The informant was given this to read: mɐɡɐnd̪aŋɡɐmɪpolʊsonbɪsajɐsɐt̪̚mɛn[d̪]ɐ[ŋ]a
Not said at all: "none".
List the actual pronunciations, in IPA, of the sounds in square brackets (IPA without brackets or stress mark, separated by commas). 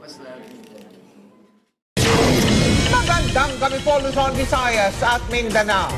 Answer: d̪, n